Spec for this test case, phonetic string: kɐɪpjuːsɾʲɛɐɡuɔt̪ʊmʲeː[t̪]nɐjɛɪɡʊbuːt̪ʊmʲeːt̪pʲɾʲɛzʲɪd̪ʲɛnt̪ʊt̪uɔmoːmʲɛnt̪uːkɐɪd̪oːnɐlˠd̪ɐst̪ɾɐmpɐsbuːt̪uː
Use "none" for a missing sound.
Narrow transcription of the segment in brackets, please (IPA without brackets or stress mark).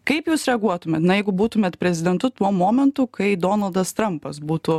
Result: t̪